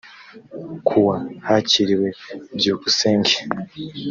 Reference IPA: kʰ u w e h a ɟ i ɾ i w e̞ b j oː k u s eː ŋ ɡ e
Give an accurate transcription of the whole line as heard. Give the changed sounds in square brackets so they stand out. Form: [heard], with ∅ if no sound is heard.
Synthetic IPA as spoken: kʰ u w [a] h a [c] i ɾ i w e̞ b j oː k u s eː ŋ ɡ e